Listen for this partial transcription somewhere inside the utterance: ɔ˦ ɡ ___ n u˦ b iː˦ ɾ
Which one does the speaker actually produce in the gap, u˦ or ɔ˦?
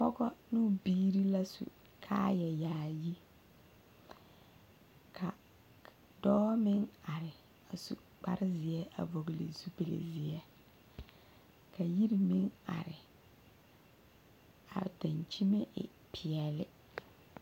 ɔ˦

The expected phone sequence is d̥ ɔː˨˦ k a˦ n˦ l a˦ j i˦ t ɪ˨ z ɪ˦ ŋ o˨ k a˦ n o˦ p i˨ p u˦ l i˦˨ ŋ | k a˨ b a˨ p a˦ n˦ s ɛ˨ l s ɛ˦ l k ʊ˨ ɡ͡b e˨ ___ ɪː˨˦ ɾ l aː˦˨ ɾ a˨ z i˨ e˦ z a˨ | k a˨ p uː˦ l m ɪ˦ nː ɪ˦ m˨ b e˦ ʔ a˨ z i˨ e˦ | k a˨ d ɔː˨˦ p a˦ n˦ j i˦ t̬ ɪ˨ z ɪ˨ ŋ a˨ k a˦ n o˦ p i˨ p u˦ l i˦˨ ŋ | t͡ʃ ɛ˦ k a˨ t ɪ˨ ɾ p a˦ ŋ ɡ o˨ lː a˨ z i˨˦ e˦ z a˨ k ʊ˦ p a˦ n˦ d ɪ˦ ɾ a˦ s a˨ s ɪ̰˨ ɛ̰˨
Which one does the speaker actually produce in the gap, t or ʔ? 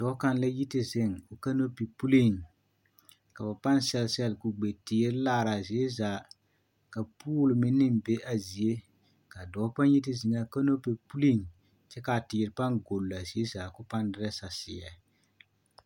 t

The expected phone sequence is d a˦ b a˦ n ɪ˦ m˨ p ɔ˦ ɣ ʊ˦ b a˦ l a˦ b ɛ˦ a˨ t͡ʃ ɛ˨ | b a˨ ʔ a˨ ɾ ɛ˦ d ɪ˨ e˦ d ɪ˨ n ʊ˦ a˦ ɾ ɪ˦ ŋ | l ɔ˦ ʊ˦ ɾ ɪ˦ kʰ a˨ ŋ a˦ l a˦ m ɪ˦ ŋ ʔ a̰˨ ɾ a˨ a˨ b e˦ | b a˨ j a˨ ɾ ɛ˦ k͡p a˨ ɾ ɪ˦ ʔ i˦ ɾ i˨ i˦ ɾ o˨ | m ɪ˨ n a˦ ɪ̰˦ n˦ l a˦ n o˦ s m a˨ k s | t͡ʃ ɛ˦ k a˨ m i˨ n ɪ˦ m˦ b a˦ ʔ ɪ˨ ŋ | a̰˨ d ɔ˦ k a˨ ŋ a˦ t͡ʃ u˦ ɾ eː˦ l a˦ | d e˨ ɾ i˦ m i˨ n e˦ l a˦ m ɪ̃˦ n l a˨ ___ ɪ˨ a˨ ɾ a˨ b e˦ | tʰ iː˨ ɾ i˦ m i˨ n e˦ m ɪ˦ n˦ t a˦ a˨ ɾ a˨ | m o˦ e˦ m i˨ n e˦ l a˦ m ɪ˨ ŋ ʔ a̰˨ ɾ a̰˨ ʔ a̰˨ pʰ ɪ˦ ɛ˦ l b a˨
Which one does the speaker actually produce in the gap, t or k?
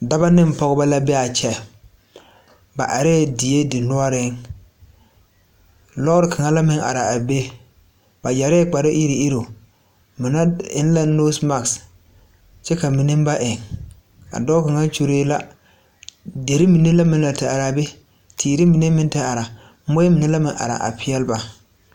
t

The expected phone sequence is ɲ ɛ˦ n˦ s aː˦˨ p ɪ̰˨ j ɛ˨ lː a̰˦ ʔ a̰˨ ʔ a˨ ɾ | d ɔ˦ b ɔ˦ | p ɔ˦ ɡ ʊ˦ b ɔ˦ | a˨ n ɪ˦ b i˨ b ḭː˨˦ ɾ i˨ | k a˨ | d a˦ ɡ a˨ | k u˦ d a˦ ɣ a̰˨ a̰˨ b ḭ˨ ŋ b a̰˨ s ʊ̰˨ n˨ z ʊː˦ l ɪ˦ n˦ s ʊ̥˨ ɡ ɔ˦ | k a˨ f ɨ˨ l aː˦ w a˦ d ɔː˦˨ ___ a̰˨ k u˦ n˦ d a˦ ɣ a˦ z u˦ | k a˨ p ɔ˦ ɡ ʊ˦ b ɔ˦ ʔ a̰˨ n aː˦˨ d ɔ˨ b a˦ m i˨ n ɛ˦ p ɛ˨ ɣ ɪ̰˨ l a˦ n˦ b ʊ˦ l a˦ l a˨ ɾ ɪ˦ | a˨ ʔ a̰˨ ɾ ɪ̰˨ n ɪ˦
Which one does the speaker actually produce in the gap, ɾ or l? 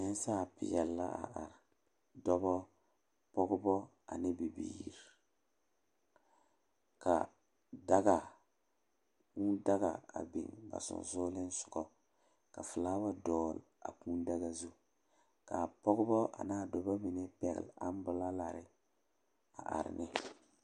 l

